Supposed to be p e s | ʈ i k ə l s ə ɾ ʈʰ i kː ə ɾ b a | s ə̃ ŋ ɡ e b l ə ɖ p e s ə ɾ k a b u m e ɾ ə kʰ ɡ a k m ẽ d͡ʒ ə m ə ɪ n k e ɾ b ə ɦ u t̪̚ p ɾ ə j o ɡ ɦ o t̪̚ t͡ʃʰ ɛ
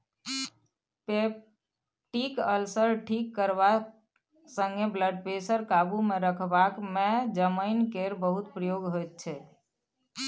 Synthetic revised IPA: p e | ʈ i k ə l s ə ɾ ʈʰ i kː ə ɾ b a | s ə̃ ŋ ɡ e b l ə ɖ p e s ə ɾ k a b u m e ɾ ə kʰ b a k m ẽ d͡ʒ ə m ə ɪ n k e ɾ b ə ɦ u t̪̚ p ɾ ə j o ɡ ɦ o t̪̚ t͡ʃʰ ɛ